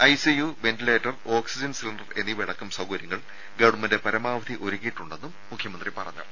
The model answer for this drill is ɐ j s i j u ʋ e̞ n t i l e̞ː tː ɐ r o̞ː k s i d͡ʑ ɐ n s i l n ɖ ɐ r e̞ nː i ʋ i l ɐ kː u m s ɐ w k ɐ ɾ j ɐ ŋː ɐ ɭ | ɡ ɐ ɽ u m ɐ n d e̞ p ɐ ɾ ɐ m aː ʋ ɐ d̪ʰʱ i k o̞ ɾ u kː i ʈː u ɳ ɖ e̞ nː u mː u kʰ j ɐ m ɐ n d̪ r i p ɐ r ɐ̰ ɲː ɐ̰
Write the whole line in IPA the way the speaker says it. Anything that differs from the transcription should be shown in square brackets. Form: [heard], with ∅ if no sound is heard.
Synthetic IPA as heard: ɐ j s i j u ʋ e̞ n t i l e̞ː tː ɐ r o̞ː k s i d͡ʑ ɐ n s i l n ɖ ɐ r e̞ nː i ʋ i [ɽ] ɐ kː u m s ɐ w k ɐ ɾ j ɐ ŋː ɐ ɭ | ɡ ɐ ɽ u m ɐ n d e̞ p ɐ ɾ ɐ m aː ʋ ɐ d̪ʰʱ i [ʔ] o̞ ɾ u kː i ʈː u ɳ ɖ e̞ nː u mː u kʰ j ɐ m ɐ n d̪ r i p ɐ r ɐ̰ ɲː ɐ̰

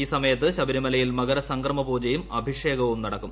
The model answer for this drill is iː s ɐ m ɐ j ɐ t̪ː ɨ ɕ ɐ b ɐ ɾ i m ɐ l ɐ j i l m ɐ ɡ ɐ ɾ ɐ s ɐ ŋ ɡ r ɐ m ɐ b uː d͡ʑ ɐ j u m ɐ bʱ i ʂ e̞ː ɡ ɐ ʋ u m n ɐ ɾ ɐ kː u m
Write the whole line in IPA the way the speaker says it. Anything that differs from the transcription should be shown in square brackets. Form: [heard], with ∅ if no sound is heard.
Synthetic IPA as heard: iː s ɐ m ɐ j ɐ t̪ː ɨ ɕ ɐ b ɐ ɾ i m ɐ l ɐ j i l m ɐ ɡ ɐ ɾ ɐ s ɐ ŋ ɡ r ɐ m ɐ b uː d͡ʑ ɐ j u m ɐ bʱ i ʂ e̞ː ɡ ɐ ʋ u m n ɐ [ɽ] ɐ kː u m

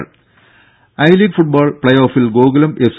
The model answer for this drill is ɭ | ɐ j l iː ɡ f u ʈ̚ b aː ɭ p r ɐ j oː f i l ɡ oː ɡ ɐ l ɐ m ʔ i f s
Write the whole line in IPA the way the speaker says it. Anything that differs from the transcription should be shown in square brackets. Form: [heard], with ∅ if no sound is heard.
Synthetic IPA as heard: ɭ | ɐ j l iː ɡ f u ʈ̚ b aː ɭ p [ɭ] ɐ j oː f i l ɡ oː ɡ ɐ l ɐ m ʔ [e] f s

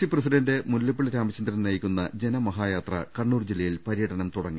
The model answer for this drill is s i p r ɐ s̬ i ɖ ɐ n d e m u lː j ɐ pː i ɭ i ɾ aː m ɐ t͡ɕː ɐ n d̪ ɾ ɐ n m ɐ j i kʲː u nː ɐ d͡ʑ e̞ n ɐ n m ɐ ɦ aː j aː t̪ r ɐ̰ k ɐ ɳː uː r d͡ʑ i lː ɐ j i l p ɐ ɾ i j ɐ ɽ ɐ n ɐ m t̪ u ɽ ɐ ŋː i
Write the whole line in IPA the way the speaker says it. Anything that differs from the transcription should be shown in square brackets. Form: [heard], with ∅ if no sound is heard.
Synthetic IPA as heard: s i p r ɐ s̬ i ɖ ɐ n d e m u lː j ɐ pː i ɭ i ɾ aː m ɐ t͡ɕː ɐ n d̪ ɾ ɐ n [n] ɐ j i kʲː u nː ɐ d͡ʑ e̞ n ɐ [∅] m ɐ ɦ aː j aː t̪ r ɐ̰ k ɐ ɳː uː r d͡ʑ i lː ɐ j i l p ɐ ɾ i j ɐ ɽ ɐ n ɐ m t̪ u ɽ ɐ ŋː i

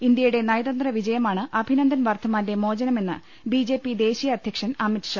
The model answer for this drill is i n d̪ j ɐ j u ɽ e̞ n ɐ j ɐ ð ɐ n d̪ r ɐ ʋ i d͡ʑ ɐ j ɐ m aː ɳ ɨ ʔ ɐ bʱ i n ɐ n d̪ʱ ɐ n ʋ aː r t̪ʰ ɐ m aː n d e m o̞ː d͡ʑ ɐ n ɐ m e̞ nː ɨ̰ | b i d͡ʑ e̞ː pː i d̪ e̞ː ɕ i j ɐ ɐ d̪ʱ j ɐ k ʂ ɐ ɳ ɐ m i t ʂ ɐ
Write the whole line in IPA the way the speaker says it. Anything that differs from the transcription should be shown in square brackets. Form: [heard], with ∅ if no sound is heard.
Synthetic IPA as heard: i n d̪ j ɐ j u ɽ e̞ n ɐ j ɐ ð ɐ n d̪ r ɐ ʋ i d͡ʑ ɐ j ɐ m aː ɳ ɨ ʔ ɐ bʱ i n ɐ n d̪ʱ ɐ n ʋ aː r t̪ʰ ɐ m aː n d e m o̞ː d͡ʑ ɐ n ɐ m e̞ nː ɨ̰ | b i d͡ʑ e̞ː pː i d̪ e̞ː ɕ i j ɐ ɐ d̪ʱ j ɐ k ʂ ɐ [n] ɐ m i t ʂ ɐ

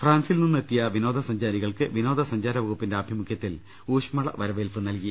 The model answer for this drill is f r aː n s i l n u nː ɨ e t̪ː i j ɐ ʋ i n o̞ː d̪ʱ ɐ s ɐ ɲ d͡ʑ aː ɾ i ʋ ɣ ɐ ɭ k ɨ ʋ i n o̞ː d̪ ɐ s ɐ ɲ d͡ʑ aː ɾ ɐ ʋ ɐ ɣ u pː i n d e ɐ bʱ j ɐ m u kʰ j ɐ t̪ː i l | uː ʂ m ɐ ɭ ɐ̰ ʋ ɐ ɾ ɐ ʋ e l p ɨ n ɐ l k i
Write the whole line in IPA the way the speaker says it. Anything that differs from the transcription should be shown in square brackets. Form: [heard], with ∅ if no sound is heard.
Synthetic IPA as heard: f r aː n s i l n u nː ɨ e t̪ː i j ɐ ʋ i n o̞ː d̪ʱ ɐ s ɐ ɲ d͡ʑ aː ɾ i [∅] ɣ ɐ ɭ k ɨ ʋ i n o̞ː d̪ ɐ s ɐ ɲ d͡ʑ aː ɾ ɐ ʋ ɐ ɣ u pː i n d e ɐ bʱ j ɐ m u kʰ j ɐ t̪ː i l | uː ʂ m ɐ ɭ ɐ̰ ʋ ɐ ɾ ɐ ʋ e l p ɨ n ɐ l k i

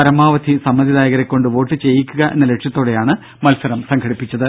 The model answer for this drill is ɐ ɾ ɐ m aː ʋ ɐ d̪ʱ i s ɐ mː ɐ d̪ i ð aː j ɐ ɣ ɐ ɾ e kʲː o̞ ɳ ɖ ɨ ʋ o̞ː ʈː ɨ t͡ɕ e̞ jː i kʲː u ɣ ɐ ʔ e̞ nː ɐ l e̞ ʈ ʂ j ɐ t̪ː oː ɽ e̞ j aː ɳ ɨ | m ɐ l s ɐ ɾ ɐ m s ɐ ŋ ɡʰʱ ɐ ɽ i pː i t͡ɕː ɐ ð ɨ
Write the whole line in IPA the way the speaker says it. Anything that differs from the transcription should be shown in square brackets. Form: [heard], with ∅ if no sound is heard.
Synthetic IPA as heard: ɐ ɾ ɐ m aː ʋ ɐ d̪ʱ i s ɐ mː ɐ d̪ i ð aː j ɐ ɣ ɐ ɾ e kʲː o̞ ɳ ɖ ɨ ʋ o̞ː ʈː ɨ t͡ɕ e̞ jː i kʲː u ɣ ɐ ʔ e̞ nː ɐ l e̞ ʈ ʂ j ɐ t̪ː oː ɽ e̞ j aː ɳ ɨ | m ɐ l s ɐ ɾ ɐ m s ɐ ŋ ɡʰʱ ɐ ɽ i pː i t͡ɕː ɐ ð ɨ

